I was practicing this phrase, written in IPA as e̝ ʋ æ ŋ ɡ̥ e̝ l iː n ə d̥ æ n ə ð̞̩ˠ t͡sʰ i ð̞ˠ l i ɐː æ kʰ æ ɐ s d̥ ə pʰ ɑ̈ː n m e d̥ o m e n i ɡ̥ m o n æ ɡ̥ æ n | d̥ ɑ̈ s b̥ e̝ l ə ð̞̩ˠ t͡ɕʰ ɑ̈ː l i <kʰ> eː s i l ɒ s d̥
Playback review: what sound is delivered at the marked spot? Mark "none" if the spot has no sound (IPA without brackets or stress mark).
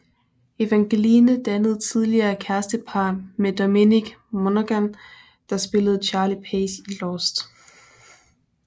pʰ